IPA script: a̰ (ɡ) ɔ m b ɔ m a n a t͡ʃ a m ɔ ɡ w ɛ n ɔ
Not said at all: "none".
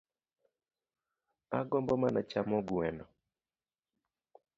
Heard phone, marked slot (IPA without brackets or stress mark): ɡ